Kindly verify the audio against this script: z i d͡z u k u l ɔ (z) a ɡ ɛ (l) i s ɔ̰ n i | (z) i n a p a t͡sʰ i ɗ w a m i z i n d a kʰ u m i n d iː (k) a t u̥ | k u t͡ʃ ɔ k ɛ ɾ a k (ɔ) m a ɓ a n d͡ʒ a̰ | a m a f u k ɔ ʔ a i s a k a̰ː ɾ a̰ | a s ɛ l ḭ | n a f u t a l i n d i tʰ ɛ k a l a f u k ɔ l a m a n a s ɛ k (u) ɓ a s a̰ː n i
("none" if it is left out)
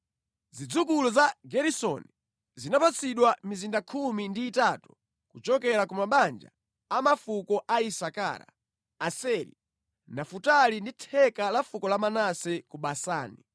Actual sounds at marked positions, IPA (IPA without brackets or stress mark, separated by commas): z, ɾ, z, t, u, u